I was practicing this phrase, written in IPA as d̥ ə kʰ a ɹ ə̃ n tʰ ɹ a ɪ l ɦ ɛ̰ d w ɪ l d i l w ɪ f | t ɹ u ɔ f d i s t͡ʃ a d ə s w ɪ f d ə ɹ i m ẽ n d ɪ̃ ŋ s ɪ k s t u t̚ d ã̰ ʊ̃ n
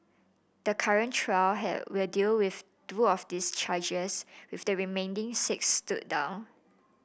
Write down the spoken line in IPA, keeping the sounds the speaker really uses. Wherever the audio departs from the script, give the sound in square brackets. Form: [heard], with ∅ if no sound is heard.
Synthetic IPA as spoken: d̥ ə kʰ a ɹ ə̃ n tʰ ɹ a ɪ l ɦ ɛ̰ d w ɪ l d i l w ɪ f | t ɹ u ɔ f d i s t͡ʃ a [d͡ʒ] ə s w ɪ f d ə ɹ i m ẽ n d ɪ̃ ŋ s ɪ k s t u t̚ d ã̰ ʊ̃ n